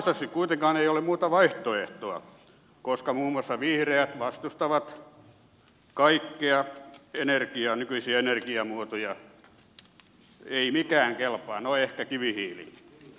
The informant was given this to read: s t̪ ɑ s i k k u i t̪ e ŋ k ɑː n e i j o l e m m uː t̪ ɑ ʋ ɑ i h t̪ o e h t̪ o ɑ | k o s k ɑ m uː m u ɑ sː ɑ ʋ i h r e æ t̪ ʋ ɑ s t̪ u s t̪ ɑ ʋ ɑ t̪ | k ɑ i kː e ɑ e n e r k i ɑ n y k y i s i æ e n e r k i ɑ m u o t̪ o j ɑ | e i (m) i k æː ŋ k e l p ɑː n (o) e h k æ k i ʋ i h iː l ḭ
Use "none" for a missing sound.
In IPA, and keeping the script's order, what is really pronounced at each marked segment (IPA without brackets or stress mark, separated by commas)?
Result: m, o